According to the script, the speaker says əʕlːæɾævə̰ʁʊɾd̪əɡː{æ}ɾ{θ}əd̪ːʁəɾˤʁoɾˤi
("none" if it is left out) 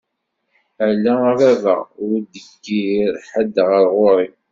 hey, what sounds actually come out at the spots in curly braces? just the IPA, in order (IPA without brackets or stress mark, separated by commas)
i, ħ